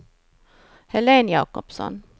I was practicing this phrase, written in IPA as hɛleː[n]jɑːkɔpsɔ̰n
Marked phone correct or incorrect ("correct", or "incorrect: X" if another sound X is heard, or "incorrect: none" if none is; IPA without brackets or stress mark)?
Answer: correct